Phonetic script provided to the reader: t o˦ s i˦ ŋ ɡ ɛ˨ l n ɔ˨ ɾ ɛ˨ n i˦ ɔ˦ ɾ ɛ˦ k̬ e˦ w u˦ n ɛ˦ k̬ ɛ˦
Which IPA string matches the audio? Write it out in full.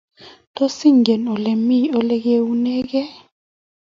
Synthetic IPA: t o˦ s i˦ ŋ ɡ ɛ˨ n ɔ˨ l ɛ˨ m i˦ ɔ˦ l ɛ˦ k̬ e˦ w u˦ n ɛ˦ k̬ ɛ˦